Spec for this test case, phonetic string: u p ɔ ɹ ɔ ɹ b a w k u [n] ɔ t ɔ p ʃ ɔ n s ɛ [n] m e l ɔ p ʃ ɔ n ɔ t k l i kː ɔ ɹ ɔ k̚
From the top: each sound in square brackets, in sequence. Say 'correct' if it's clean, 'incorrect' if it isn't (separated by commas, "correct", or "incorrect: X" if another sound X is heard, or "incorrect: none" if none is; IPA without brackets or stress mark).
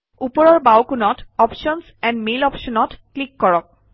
correct, correct